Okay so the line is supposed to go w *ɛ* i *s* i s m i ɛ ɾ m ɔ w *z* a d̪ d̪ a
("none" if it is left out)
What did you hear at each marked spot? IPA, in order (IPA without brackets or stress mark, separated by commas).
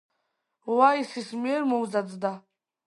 a, s, z